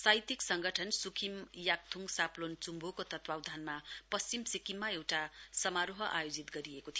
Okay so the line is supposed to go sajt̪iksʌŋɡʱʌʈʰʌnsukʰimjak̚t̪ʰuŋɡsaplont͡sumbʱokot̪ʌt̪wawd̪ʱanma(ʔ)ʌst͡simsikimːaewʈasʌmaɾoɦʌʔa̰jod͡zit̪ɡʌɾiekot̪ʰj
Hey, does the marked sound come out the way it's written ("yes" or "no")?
no